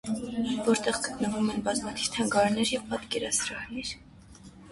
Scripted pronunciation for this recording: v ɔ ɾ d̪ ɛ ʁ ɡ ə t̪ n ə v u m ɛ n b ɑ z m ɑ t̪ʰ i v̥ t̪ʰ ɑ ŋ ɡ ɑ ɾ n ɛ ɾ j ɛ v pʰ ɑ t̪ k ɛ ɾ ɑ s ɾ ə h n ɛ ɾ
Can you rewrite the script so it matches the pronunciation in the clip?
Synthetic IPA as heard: v ɔ ɾ t̪ ɛ ʁ ɡ ə t̪ n ə v u m ɛ n b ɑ z m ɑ t̪ʰ i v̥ t̪ʰ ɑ ŋ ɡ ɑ ɾ n ɛ ɾ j ɛ v p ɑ t̪ k ɛ ɾ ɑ s ɾ ɑ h n ɛ ɾ

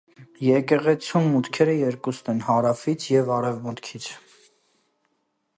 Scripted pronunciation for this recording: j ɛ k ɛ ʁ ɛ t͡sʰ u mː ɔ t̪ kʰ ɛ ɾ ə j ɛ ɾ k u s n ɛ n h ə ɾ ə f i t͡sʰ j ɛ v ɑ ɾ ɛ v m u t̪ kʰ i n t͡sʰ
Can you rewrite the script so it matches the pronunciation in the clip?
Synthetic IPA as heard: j ɛ k ɛ ʁ ɛ t͡sʰ u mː u t̪ kʰ ɛ ɾ ə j ɛ ɾ k u s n ɛ n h ɑ ɾ ɑ f i t͡sʰ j ɛ v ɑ ɾ ɛ v m u t̪ kʰ i t͡sʰ

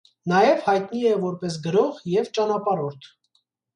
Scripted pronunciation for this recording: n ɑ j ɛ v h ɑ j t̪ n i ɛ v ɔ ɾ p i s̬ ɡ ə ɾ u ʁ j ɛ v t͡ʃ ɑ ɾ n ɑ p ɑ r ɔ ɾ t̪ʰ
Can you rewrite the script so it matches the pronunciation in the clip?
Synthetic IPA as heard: n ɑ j ɛ v h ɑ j t̪ n i ɛ v ɔ ɾ p ɛ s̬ ɡ ə ɾ ɔ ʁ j ɛ v t͡ʃ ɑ n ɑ p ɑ ɾ ɔ ɾ t̪ʰ

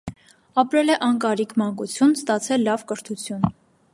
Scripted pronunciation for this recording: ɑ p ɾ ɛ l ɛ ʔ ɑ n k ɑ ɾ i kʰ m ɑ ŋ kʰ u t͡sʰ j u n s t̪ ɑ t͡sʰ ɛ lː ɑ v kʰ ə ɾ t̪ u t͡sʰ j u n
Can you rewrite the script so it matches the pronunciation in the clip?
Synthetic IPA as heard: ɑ p ɾ ɛ l ɛ ʔ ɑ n k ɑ ɾ i kʰ m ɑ ŋ k u t͡sʰ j u n s t̪ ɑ t͡sʰ ɛ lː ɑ v k ə ɾ t̪ʰ u t͡sʰ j u n

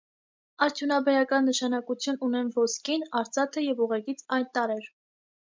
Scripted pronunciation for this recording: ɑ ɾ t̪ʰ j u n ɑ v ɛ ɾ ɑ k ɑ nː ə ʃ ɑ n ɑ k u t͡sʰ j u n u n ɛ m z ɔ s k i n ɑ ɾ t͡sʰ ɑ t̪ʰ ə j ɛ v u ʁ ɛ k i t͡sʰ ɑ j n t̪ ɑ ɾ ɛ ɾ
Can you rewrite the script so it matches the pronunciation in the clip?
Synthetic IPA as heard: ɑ ɾ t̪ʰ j u n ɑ b ɛ ɾ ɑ k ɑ nː ə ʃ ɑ n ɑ k u t͡sʰ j u n u n ɛ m v ɔ s k i n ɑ ɾ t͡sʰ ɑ t̪ʰ ə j ɛ v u ʁ ɛ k i t͡sʰ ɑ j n t̪ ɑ ɾ ɛ ɾ

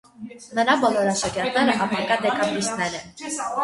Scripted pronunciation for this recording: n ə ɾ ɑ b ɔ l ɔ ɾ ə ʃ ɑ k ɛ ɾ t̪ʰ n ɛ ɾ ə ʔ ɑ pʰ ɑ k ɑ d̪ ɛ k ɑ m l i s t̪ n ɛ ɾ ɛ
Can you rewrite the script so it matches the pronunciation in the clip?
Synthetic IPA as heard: n ə ɾ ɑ b ɔ l ɔ ɾ ɑ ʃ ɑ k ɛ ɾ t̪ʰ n ɛ ɾ ə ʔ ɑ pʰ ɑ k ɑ d̪ ɛ k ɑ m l i s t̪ n ɛ ɾ ɛ

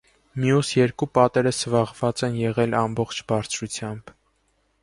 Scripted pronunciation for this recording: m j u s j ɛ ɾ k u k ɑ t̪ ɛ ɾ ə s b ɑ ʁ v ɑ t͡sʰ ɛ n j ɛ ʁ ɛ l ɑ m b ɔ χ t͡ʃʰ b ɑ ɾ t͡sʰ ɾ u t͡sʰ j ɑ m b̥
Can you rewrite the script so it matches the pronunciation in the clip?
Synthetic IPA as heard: m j u s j ɛ ɾ k u p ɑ t̪ ɛ ɾ ə s v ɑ ʁ v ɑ t͡s ɛ n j ɛ ʁ ɛ l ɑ m b ɔ χ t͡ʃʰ b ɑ ɾ t͡sʰ ɾ u t͡sʰ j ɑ m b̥

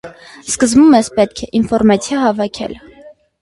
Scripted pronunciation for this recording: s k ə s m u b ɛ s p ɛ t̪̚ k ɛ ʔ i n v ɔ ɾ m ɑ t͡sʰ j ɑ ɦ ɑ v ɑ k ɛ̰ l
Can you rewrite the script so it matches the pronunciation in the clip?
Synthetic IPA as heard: s k ə z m u m ɛ s p ɛ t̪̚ kʰ ɛ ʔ i n f ɔ ɾ m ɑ t͡sʰ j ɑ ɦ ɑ v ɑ kʰ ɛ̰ l

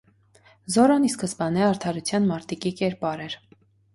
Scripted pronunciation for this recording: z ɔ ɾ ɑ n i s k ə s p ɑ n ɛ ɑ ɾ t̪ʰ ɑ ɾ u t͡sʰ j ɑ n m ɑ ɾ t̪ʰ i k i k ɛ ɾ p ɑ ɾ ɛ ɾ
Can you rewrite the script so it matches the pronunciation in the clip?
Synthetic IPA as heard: z ɔ ɾ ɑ n i s k ə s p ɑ n ɛ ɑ ɾ t̪ʰ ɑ ɾ u t͡sʰ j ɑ n m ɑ ɾ t̪ i k i k ɛ ɾ p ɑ ɾ ɛ ɾ

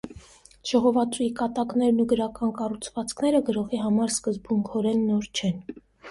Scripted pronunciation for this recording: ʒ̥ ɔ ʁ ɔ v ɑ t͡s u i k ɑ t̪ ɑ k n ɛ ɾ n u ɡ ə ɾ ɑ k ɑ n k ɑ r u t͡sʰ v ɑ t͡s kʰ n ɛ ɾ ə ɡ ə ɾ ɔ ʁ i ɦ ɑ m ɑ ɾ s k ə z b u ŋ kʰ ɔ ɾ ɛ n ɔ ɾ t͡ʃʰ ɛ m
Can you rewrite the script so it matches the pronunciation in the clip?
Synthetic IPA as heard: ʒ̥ ɔ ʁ ɔ v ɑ t͡s u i k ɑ t̪ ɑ k n ɛ ɾ n u ɡ ə ɾ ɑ k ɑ n k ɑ r u t͡sʰ v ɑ t͡s kʰ n ɛ ɾ ə ɡ ə ɾ ɔ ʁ i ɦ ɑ m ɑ ɾ s k ə z b u ŋ kʰ ɔ ɾ ɛ nː ɔ ɾ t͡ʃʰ ɛ n

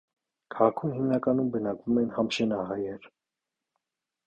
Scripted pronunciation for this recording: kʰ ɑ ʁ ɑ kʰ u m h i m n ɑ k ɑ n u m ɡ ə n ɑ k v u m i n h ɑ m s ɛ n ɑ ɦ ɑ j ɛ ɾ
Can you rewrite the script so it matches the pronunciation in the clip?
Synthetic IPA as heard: kʰ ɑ ʁ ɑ kʰ u m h i m n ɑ k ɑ n u m b ə n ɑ k v u m ɛ n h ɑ m ʃ ɛ n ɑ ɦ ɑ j ɛ ɾ

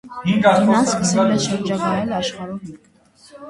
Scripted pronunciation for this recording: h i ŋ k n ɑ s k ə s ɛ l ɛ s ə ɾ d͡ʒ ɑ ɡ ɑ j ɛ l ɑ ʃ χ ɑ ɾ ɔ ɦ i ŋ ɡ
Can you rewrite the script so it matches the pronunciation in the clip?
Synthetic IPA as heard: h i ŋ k n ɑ s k ə s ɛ l ɛ ʃ ə ɾ d͡ʒ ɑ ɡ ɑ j ɛ l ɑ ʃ χ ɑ ɾ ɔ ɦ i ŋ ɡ

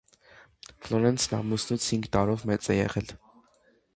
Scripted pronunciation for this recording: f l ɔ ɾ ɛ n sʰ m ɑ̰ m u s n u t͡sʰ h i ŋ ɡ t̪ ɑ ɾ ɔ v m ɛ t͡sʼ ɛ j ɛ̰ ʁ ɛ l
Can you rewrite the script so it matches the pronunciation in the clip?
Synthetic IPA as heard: f l ɔ ɾ ɛ n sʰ n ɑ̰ m u s n u t͡sʰ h i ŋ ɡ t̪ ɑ ɾ ɔ v m ɛ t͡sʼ ɛ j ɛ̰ ʁ ɛ l

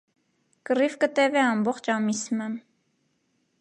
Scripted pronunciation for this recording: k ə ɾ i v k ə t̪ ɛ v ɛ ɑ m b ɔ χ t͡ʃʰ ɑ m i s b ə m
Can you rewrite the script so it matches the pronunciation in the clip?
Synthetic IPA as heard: k ə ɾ i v k ə t̪ ɛ v ɛ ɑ m b ɔ χ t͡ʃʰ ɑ m i s m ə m

